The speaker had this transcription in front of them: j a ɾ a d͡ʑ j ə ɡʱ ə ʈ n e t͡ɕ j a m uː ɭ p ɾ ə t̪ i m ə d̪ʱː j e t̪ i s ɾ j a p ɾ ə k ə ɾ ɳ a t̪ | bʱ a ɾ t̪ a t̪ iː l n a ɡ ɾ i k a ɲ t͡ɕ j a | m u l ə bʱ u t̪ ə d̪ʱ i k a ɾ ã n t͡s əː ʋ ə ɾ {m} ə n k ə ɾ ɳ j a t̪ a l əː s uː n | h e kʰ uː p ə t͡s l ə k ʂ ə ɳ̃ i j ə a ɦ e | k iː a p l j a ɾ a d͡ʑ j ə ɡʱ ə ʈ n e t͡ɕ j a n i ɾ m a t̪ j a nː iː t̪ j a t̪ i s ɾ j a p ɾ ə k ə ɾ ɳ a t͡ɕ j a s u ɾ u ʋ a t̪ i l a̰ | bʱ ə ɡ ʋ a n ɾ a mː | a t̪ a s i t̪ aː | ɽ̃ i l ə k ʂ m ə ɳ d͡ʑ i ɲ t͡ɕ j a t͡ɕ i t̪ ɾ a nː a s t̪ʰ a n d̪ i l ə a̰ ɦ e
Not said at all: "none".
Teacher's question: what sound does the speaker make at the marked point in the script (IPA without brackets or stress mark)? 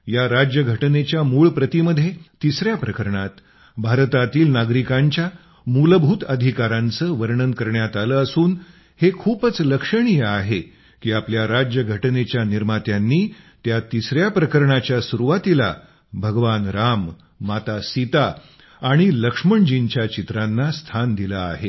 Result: ɳ